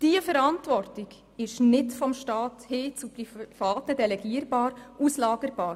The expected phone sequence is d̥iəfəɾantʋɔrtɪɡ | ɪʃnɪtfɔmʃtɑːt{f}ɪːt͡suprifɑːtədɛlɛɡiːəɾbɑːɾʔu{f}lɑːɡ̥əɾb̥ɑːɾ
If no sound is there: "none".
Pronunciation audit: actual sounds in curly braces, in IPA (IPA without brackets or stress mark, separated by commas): h, s